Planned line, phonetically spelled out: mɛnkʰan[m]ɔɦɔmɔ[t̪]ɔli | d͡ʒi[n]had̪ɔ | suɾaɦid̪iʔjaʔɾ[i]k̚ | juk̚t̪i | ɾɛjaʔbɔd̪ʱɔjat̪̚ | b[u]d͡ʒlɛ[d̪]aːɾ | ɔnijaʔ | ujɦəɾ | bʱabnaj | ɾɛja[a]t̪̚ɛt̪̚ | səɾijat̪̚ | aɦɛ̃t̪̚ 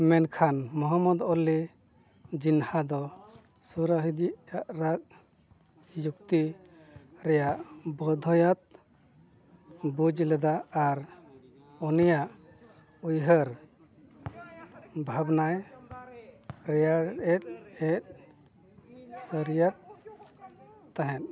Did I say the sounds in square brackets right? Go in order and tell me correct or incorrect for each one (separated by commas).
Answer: correct, incorrect, correct, incorrect, correct, correct, incorrect